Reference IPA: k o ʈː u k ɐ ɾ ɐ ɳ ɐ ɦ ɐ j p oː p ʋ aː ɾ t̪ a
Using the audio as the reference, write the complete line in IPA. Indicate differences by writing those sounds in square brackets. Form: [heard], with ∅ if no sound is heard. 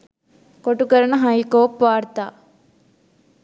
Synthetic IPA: k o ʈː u k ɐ ɾ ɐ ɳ ɐ ɦ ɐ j [k] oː p ʋ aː ɾ t̪ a